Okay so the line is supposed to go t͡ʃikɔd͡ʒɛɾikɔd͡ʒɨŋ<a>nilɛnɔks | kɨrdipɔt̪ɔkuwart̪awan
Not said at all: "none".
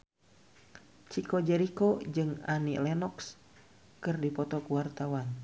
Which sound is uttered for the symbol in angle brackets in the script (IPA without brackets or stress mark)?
a